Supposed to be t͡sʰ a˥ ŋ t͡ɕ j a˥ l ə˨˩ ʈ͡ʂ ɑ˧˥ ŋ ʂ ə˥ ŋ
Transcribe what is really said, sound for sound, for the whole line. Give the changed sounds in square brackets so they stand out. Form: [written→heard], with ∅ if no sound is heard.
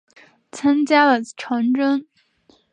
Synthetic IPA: t͡sʰ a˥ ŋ t͡ɕ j a˥ l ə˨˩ [ʈ͡ʂ→ʈ͡ʂʰ] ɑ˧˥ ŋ [ʂ→ʈ͡ʂ] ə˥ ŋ